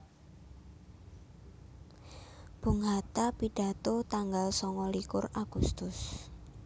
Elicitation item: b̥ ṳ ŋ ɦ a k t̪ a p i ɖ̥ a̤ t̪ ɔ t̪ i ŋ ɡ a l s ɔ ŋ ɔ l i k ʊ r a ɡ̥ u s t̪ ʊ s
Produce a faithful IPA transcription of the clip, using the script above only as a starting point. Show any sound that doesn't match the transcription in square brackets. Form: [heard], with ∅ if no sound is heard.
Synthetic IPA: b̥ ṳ ŋ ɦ a [∅] t̪ a p i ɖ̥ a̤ t̪ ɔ t̪ [a] ŋ ɡ a l s ɔ ŋ ɔ l i k ʊ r a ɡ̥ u s t̪ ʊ s

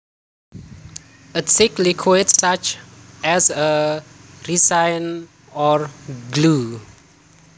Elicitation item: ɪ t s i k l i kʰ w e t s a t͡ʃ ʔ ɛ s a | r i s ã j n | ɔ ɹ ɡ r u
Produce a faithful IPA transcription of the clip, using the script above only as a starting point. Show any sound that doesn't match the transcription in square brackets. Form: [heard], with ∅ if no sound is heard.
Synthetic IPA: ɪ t s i k l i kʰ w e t s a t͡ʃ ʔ ɛ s [ə] | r i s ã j n | ɔ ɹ ɡ [l] u

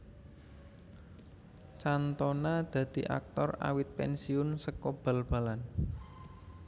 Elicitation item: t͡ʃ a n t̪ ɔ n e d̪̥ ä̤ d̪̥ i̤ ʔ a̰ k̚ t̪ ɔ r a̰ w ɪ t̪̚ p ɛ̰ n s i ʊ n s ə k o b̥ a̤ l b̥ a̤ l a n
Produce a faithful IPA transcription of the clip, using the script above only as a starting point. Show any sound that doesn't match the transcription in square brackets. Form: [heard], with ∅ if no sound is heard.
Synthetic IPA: t͡ʃ a n t̪ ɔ n [a] d̪̥ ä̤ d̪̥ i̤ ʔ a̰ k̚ t̪ ɔ r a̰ w ɪ t̪̚ p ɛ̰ n s i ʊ n s ə k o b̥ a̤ l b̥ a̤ l a n

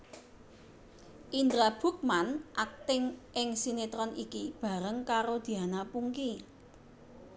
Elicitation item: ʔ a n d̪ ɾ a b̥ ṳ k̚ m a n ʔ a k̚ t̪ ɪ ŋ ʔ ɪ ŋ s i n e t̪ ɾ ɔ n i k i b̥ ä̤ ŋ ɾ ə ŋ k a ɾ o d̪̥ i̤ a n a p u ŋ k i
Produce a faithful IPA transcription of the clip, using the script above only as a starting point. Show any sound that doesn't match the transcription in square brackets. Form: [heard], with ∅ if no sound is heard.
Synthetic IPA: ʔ [i] n d̪ ɾ a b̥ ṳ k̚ m a n ʔ a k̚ t̪ ɪ ŋ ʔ ɪ ŋ s i n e t̪ ɾ ɔ n i k i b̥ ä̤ [∅] ɾ ə ŋ k a ɾ o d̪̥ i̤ a n a p u ŋ k i

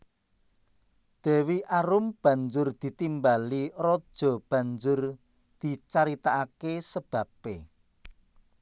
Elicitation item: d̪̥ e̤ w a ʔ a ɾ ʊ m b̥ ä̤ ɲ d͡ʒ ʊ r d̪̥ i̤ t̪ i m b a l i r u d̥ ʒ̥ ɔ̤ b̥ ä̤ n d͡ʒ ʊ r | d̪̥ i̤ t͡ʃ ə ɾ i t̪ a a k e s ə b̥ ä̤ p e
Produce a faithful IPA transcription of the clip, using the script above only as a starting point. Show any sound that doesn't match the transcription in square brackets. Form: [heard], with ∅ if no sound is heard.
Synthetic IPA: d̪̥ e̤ w [i] ʔ a ɾ ʊ m b̥ ä̤ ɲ d͡ʒ ʊ r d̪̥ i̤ t̪ i m b a l i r [ɔ] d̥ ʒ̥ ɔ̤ b̥ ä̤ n d͡ʒ ʊ r | d̪̥ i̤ t͡ʃ [a] ɾ i t̪ a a k e s ə b̥ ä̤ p e

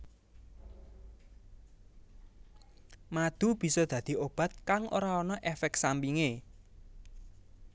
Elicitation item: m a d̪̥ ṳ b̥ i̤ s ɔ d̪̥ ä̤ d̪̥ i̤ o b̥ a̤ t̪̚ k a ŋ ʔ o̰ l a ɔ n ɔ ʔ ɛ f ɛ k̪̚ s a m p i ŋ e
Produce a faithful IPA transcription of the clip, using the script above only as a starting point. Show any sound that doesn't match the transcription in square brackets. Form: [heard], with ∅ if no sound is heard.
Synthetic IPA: m a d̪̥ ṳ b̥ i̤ s ɔ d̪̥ ä̤ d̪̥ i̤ o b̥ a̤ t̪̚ k a ŋ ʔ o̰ [ɾ] a ɔ n ɔ ʔ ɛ f ɛ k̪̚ s a m p i ŋ e

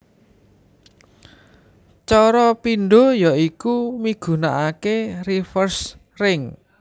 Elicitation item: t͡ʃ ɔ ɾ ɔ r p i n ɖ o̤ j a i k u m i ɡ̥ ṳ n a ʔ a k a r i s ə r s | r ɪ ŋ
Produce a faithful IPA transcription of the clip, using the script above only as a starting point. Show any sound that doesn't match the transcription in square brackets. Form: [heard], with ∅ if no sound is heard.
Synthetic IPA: t͡ʃ ɔ ɾ ɔ [∅] p i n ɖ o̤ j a i k u m i ɡ̥ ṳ n a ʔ a k [e] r i [f] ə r s | r ɪ ŋ

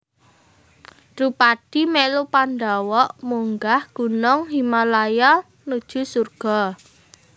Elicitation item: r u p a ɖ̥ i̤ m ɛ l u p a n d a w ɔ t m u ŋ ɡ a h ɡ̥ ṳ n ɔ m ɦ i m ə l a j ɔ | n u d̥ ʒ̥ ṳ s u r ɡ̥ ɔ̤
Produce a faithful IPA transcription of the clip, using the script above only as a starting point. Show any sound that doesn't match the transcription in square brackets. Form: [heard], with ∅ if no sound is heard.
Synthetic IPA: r u p a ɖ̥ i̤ m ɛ l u p a n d a w ɔ [ʔ] m u ŋ ɡ a h ɡ̥ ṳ n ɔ [ŋ] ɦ i m [a] l a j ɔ | n u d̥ ʒ̥ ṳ s u r ɡ̥ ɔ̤

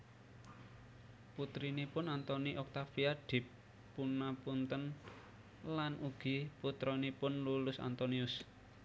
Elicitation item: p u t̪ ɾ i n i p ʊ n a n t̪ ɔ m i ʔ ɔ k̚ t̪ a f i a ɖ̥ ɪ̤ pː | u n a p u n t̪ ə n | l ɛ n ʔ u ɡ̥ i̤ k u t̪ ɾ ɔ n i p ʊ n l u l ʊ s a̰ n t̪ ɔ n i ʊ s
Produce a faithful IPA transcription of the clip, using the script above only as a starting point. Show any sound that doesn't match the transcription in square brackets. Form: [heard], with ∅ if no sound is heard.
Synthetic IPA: p u t̪ ɾ i n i p ʊ n a n t̪ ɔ [n] i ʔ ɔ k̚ t̪ a f i a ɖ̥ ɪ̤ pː | u n a p u n t̪ ə n | l [a] n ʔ u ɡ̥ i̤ [p] u t̪ ɾ ɔ n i p ʊ n l u l ʊ s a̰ n t̪ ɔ n i ʊ s

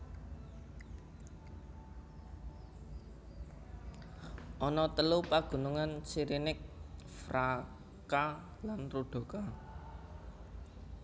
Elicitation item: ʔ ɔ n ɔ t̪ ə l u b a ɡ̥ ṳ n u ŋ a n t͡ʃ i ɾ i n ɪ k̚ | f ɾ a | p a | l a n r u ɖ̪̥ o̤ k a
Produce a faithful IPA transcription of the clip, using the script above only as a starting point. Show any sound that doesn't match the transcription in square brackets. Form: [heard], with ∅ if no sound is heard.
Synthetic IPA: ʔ ɔ n ɔ t̪ ə l u [p] a ɡ̥ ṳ n u ŋ a n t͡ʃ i ɾ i n ɪ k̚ | f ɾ a | [k] a | l a n r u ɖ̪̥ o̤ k a

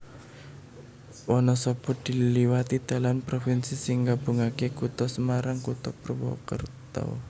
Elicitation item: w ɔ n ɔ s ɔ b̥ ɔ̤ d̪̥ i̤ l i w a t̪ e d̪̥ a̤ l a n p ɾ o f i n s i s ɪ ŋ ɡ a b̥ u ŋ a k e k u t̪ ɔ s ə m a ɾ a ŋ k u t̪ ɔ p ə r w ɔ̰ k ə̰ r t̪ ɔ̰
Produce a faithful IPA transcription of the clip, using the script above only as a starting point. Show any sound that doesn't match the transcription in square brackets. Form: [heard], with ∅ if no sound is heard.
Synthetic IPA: w ɔ n ɔ s ɔ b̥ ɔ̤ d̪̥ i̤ l i w a t̪ [i] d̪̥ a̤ l a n p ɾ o f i n s i s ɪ ŋ ɡ a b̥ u ŋ a k e k u t̪ ɔ s ə m a ɾ a ŋ k u t̪ ɔ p ə r w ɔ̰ k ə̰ r t̪ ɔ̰

